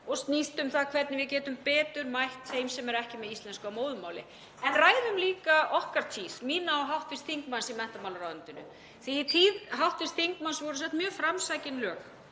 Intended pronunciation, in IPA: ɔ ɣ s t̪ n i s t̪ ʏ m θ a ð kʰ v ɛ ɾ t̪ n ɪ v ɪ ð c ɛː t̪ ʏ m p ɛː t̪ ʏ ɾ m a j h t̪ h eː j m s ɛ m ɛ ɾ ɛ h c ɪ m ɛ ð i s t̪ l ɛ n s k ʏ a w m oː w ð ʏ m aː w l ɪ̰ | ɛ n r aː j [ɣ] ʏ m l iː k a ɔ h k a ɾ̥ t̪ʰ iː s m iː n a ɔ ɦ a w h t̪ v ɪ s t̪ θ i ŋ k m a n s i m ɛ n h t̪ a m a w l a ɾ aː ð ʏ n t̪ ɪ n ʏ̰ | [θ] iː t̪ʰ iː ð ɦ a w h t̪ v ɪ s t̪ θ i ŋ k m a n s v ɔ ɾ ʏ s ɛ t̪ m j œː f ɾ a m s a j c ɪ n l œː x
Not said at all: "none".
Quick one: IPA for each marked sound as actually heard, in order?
ð, θ

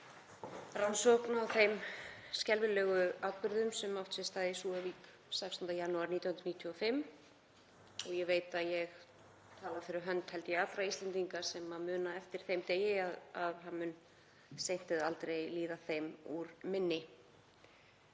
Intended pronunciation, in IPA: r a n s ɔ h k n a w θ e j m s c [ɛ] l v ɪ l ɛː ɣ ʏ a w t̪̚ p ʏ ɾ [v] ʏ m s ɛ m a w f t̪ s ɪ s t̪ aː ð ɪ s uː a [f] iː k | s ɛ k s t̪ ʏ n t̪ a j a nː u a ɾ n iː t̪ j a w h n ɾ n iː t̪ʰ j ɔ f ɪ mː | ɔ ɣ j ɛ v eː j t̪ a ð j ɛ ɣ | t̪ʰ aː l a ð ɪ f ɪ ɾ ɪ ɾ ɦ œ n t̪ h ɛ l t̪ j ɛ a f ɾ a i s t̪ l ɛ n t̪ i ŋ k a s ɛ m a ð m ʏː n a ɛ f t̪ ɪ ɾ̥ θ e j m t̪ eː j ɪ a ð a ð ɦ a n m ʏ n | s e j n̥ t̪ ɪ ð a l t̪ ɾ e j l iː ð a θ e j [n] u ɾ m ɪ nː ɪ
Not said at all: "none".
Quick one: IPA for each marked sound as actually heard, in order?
ɛ, ð, v, m

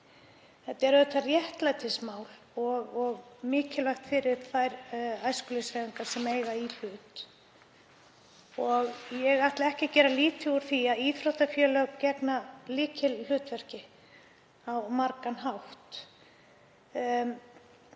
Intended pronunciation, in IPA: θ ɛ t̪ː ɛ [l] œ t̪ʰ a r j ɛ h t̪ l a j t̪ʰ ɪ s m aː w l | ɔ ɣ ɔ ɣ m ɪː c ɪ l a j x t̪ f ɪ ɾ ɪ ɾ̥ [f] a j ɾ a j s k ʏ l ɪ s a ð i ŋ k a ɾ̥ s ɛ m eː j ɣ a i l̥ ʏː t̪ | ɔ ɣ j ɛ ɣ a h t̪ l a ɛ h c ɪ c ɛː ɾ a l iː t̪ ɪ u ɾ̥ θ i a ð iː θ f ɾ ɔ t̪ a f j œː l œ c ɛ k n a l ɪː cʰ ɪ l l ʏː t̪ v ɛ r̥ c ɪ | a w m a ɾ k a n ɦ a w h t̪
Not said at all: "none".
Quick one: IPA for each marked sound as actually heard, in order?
ɾ, θ

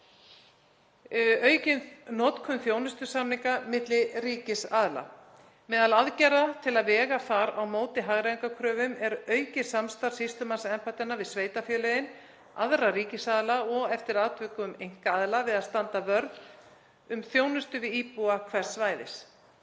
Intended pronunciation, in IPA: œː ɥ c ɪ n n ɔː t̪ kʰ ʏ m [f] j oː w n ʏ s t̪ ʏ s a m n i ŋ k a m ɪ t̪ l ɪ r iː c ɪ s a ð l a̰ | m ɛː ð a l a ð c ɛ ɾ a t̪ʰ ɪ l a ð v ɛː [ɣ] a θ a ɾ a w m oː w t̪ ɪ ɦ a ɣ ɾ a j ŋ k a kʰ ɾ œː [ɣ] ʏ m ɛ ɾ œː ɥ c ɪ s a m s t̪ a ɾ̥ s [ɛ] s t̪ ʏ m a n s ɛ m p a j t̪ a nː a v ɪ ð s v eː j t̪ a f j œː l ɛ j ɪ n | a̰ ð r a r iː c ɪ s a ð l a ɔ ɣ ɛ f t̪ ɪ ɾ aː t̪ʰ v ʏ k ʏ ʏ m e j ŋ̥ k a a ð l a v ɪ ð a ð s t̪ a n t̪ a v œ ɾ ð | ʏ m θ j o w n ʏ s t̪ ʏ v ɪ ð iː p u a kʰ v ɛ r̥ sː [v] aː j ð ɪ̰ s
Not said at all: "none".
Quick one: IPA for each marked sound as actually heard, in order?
θ, ɣ, v, i, v

